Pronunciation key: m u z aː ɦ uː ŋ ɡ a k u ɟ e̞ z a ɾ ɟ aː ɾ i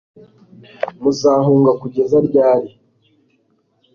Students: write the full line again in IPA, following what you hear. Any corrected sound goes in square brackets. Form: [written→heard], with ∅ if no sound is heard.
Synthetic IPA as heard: m u z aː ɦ uː ŋ ɡ a k u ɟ e̞ z a ɾ ɟ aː ɾ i